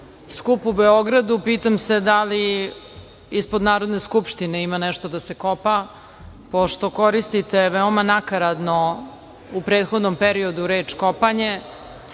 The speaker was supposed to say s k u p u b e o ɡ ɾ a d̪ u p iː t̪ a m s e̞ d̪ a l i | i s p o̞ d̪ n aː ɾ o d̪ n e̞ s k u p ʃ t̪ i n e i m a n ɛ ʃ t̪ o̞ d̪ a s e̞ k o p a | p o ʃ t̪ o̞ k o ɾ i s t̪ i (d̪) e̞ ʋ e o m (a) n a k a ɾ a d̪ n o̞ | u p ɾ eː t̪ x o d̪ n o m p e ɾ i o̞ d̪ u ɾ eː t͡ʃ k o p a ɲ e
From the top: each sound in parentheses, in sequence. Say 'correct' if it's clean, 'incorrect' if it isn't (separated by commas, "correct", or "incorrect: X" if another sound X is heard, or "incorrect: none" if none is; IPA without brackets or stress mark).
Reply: incorrect: t̪, correct